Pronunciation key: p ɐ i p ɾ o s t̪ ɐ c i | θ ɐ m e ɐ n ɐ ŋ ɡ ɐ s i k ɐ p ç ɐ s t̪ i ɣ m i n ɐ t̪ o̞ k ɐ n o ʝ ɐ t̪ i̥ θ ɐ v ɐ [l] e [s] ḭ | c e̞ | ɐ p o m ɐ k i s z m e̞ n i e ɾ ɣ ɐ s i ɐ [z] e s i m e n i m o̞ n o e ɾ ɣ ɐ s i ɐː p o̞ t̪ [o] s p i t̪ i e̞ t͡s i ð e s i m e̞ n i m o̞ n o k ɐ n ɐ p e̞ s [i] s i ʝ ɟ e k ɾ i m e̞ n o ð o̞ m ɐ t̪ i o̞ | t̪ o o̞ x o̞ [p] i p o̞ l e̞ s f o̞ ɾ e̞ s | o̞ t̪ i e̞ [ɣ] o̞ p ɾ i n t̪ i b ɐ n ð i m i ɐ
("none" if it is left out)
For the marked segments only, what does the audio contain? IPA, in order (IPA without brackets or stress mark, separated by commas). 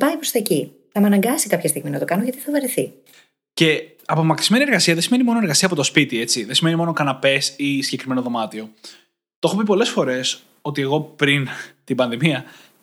ɾ, θ, ð, o, i, p, ɣ